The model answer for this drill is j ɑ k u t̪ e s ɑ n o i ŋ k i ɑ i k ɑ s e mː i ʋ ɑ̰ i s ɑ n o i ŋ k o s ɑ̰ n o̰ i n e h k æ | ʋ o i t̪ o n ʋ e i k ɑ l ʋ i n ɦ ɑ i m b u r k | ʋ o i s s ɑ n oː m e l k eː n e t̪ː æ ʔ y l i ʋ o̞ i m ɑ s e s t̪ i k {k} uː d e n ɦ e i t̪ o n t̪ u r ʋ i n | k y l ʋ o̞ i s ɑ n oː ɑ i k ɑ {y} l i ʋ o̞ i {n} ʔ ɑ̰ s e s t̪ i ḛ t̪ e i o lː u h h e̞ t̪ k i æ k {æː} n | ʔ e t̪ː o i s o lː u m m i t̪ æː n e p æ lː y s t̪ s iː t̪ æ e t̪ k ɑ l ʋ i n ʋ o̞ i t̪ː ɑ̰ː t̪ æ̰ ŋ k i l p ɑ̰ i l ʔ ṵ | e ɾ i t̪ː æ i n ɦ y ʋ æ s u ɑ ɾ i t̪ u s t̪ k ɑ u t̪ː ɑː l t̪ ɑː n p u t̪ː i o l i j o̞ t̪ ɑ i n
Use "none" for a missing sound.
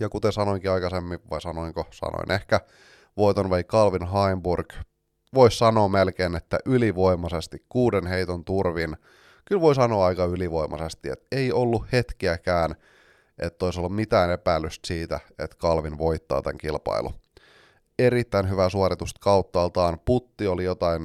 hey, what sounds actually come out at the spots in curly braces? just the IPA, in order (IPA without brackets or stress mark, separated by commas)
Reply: k, y, m, æː